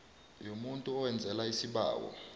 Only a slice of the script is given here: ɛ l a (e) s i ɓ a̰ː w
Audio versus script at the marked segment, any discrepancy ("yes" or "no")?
yes